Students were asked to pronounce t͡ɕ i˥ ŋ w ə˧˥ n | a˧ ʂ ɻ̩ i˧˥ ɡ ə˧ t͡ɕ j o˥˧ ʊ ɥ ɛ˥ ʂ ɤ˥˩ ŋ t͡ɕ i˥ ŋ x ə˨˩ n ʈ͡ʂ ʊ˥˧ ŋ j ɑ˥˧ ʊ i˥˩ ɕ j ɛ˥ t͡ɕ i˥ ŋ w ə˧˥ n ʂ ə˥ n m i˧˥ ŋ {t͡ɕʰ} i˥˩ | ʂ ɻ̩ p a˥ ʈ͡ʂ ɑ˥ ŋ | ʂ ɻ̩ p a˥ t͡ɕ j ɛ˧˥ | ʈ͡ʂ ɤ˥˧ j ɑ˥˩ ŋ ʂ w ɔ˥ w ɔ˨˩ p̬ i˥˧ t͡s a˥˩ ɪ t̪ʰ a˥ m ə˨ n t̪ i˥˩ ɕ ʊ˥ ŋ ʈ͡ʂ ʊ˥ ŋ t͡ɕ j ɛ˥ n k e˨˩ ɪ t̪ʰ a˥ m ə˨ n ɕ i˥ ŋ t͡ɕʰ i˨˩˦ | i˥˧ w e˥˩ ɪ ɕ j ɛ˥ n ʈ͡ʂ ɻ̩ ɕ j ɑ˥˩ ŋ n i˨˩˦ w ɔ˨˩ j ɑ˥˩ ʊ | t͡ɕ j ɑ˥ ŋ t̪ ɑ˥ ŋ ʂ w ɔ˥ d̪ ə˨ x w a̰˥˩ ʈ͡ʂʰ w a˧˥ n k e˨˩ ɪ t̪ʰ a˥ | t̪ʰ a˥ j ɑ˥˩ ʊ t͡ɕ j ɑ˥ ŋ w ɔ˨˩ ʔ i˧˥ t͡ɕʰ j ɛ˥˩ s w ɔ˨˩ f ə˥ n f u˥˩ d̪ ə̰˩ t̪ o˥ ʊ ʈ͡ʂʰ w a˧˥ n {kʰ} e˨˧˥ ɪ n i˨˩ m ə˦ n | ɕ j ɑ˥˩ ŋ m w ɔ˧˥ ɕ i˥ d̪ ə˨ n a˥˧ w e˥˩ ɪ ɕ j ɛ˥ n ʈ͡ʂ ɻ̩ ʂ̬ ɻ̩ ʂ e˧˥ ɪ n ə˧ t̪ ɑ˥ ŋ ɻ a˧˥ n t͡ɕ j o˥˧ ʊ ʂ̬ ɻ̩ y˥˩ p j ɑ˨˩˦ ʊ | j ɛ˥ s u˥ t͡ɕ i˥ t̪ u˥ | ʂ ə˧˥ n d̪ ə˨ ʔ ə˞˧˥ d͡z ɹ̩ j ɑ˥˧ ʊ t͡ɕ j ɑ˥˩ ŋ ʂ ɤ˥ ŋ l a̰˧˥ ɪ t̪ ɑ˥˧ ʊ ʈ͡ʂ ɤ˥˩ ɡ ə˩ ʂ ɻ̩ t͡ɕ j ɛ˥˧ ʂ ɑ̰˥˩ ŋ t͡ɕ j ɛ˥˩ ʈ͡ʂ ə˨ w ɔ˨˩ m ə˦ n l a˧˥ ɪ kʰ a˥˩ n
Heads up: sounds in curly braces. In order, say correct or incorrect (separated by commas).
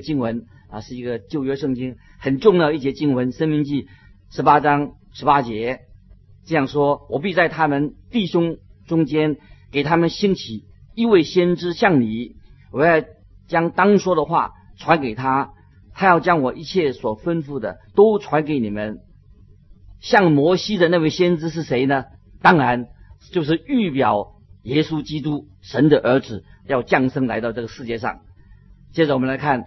incorrect, incorrect